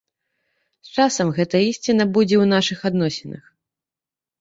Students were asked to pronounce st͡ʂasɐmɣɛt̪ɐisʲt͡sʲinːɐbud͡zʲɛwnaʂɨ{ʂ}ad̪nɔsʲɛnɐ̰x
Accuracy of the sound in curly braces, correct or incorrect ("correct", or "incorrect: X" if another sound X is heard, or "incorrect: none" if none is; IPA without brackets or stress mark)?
incorrect: x